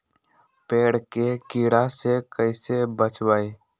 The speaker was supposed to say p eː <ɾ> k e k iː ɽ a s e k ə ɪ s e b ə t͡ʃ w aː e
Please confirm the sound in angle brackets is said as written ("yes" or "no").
no